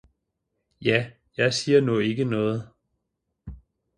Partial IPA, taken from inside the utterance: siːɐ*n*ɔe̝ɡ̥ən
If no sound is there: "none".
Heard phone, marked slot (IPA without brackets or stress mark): n